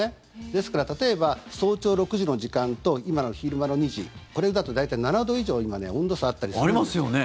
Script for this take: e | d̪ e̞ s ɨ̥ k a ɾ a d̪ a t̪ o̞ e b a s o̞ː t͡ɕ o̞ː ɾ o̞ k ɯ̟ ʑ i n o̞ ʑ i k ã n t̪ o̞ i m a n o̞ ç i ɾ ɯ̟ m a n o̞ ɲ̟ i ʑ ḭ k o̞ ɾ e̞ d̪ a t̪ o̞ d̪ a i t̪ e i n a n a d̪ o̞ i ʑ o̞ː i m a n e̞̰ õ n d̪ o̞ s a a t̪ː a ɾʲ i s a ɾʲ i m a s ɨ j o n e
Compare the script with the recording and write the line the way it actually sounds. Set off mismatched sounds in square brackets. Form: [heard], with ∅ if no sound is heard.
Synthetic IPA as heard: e | d̪ e̞ s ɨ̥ k a ɾ a [t̪] a t̪ o̞ e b a s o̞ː t͡ɕ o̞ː ɾ o̞ k ɯ̟ ʑ i n o̞ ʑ i k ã n t̪ o̞ i m a n o̞ ç i ɾ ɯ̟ m a n o̞ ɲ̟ i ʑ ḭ k o̞ ɾ e̞ d̪ a t̪ o̞ d̪ a i t̪ [a] i n a n a d̪ o̞ i ʑ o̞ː i m a n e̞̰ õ n d̪ o̞ s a a t̪ː a ɾʲ i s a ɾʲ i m a s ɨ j o n e